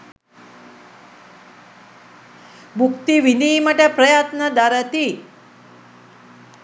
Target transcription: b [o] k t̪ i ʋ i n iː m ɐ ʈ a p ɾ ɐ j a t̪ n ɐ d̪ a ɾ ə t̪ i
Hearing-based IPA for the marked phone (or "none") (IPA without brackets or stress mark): u